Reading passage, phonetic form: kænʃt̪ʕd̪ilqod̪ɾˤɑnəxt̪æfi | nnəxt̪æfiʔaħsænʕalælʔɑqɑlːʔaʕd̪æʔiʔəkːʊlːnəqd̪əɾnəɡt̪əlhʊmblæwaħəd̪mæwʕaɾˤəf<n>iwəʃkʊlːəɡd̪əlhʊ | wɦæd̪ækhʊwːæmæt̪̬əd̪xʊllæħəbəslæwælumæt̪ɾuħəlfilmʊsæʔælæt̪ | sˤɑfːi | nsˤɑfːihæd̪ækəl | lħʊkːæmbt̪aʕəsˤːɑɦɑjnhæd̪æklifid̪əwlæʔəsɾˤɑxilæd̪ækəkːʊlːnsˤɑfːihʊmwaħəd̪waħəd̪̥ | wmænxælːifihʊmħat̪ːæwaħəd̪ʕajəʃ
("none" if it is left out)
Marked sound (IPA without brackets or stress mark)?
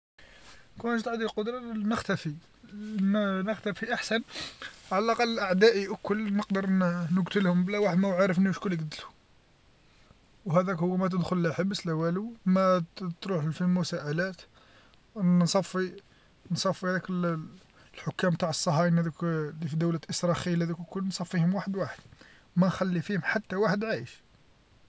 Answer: n